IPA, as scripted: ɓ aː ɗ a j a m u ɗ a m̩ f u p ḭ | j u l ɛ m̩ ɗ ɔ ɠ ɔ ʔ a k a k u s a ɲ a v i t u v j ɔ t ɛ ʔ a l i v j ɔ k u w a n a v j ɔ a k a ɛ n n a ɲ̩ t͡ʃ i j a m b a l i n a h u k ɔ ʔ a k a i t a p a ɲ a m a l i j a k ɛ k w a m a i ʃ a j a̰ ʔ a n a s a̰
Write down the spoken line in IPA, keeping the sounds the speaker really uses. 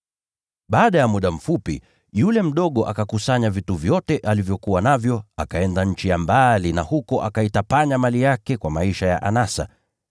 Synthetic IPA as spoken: ɓ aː ɗ a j a m u ɗ a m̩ f u p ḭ | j u l ɛ m̩ ɗ ɔ ɠ ɔ ʔ a k a k u s a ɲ a v i t u v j ɔ t ɛ ʔ a l i v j ɔ k u w a n a v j ɔ a k a ɛ n d a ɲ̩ t͡ʃ i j a m b a l i n a h u k ɔ ʔ a k a i t a p a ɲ a m a l i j a k ɛ k w a m a i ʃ a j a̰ ʔ a n a s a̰

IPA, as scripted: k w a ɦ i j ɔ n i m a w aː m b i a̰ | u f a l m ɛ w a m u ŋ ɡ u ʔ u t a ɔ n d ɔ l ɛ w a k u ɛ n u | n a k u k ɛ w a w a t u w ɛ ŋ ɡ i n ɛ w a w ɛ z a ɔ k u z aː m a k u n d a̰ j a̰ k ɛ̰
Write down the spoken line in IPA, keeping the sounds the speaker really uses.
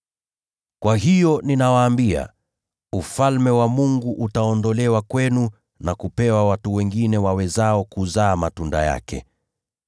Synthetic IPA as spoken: k w a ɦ i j ɔ n i n a w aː m b i a̰ | u f a l m ɛ w a m u ŋ ɡ u ʔ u t a ɔ n d ɔ l ɛ w a k w ɛ n u | n a k u p ɛ w a w a t u w ɛ ŋ ɡ i n ɛ w a w ɛ z a ɔ k u z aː m a t u n d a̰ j a̰ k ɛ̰

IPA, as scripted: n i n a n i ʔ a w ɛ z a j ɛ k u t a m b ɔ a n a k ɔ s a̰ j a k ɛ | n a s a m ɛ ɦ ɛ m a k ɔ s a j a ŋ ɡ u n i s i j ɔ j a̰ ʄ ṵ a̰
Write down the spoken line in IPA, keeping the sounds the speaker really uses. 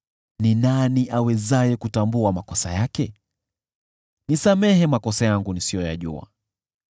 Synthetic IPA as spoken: n i n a n i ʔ a w ɛ z a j ɛ k u t a m b u a m a k ɔ s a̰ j a k ɛ | n i s a m ɛ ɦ ɛ m a k ɔ s a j a ŋ ɡ u n i s i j ɔ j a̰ ʄ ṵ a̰

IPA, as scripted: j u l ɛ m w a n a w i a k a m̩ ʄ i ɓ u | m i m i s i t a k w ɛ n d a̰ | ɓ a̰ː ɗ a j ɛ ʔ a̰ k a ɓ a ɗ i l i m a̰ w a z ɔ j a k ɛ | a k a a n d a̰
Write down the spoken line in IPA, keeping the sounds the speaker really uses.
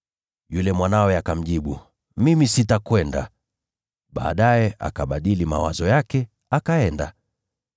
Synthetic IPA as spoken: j u l ɛ m w a n a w ɛ a k a m̩ ʄ i ɓ u | m i m i s i t a k w ɛ n d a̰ | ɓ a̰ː ɗ a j ɛ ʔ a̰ k a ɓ a ɗ i l i m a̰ w a z ɔ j a k ɛ | a k a ɛ n d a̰

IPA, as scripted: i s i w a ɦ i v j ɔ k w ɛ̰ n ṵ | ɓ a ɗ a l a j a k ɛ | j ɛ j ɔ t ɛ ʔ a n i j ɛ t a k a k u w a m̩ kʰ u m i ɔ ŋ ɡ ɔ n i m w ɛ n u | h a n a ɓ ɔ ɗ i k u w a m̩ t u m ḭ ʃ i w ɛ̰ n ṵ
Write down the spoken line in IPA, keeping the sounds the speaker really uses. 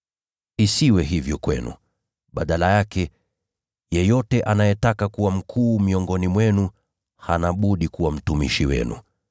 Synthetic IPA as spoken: i s i w ɛ ɦ i v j ɔ k w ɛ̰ n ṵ | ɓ a ɗ a l a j a k ɛ | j ɛ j ɔ t ɛ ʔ a n a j ɛ t a k a k u w a m̩ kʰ uː m i ɔ ŋ ɡ ɔ n i m w ɛ n u | h a n a ɓ u ɗ i k u w a m̩ t u m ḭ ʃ i w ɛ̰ n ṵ

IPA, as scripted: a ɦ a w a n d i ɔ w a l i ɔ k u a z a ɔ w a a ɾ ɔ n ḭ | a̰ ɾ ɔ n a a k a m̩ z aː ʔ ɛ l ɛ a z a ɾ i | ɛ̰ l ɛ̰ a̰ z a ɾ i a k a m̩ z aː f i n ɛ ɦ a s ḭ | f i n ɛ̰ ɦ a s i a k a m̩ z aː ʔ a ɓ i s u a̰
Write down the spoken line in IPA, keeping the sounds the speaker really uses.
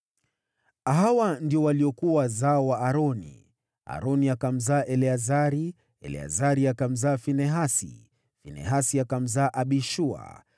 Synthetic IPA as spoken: a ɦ a w a n d i ɔ w a l i ɔ k u a z a ɔ w a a ɾ ɔ n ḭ | a̰ ɾ ɔ n i a k a m̩ z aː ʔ ɛ l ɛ a z a ɾ i | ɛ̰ l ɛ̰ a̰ z a ɾ i a k a m̩ z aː f i n ɛ ɦ a s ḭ | f i n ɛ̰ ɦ a s i a k a m̩ z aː ʔ a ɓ i ʃ u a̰

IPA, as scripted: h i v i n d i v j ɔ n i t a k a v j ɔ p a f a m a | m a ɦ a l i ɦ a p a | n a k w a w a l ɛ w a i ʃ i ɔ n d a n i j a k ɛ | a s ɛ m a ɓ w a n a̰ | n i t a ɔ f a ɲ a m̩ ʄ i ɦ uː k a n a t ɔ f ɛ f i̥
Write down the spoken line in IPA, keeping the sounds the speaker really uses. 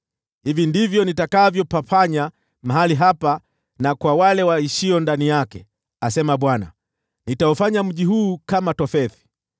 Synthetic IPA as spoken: h i v i n d i v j ɔ n i t a k a v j ɔ p a f a ɲ a | m a ɦ a l i ɦ a p a | n a k w a w a l ɛ w a i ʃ i ɔ n d a n i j a k ɛ | a s ɛ m a ɓ w a n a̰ | n i t a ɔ f a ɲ a m̩ ʄ i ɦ uː k a m a t ɔ f ɛ θ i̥

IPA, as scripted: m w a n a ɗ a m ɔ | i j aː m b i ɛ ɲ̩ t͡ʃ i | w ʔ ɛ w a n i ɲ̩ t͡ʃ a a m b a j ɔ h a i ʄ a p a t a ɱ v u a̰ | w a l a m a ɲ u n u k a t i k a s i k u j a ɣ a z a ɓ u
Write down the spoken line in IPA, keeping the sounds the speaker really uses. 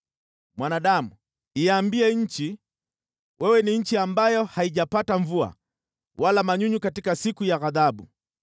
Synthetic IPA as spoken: m w a n a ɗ a m u | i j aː m b i ɛ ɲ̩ t͡ʃ i | w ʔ ɛ w ɛ n i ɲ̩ t͡ʃ i a m b a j ɔ h a i ʄ a p a t a ɱ v u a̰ | w a l a m a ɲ u ɲ u k a t i k a s i k u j a ɣ a ð a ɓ u

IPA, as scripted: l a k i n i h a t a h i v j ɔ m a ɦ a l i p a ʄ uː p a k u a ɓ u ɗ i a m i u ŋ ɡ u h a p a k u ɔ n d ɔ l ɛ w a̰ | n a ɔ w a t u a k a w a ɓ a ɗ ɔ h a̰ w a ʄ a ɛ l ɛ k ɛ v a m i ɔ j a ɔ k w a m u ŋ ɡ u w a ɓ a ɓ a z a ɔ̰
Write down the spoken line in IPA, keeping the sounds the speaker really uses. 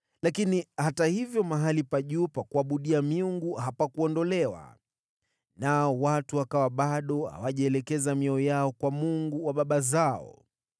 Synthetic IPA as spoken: l a k i n i h a t a h i v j ɔ m a ɦ a l i p a ʄ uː p a k u a ɓ u ɗ i a m i u ŋ ɡ u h a p a k u ɔ n d ɔ l ɛ w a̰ | n a ɔ w a t u a k a w a ɓ a ɗ ɔ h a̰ w a ʄ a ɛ l ɛ k ɛ z a m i ɔ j a ɔ k w a m u ŋ ɡ u w a ɓ a ɓ a z a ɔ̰

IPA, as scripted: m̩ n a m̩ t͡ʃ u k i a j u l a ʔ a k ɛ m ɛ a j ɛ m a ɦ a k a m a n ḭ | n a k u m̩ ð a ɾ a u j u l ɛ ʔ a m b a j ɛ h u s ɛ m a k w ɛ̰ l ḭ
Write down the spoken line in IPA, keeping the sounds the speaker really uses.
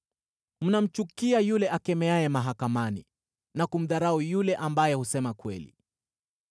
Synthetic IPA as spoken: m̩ n a m̩ t͡ʃ u k i a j u l ɛ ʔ a k ɛ m ɛ a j ɛ m a ɦ a k a m a n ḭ | n a k u m̩ ð a ɾ a u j u l ɛ ʔ a m b a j ɛ h u s ɛ m a k w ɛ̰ l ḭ

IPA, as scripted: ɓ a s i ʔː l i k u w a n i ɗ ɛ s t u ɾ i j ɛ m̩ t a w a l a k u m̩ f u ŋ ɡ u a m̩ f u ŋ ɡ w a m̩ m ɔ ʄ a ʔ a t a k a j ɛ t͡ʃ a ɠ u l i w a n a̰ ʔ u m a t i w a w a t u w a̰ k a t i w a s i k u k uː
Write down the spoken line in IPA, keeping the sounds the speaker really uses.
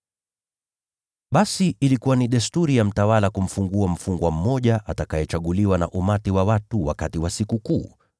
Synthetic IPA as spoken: ɓ a s i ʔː l i k u w a n i ɗ ɛ s t u ɾ i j a m̩ t a w a l a k u m̩ f u ŋ ɡ u a m̩ f u ŋ ɡ w a m̩ m ɔ ʄ a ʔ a t a k a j ɛ t͡ʃ a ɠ u l i w a n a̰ ʔ u m a t i w a w a t u w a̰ k a t i w a s i k u k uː

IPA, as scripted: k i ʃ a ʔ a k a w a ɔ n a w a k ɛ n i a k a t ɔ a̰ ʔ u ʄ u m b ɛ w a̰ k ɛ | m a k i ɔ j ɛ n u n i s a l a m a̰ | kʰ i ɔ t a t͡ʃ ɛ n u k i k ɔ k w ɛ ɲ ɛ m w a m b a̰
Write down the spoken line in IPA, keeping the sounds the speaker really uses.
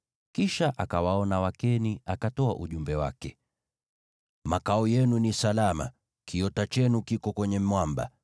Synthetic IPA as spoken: k i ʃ a ʔ a k a w a ɔ n a w a k ɛ n i a k a t ɔ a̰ ʔ u ʄ u m b ɛ w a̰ k ɛ | m a k a ɔ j ɛ n u n i s a l a m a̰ | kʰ i ɔ t a t͡ʃ ɛ n u k i k ɔ k w ɛ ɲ ɛ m w a m b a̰

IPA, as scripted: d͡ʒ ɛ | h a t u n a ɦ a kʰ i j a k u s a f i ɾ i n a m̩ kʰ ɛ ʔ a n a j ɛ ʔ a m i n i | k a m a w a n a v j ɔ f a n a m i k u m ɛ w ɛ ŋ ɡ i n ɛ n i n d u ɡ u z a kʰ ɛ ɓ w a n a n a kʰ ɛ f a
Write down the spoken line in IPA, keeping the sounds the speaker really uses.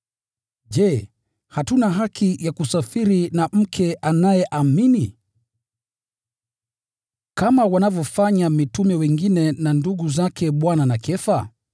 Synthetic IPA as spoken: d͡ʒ ɛ | h a t u n a ɦ a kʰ i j a k u s a f i ɾ i n a m̩ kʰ ɛ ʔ a n a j ɛ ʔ a m i n i | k a m a w a n a v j ɔ f a ɲ a m i t u m ɛ w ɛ ŋ ɡ i n ɛ n a n d u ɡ u z a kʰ ɛ ɓ w a n a n a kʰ ɛ f a

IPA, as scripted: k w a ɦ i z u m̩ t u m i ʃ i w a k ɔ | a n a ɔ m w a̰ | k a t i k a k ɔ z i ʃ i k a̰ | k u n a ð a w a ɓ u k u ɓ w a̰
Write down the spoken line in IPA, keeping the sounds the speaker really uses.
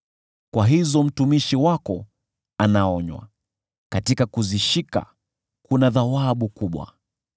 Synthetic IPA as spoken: k w a ɦ i z ɔ m̩ t u m i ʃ i w a k ɔ | a n a ɔ ɲ w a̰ | k a t i k a k u z i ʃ i k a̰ | k u n a ð a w a ɓ u k u ɓ w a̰

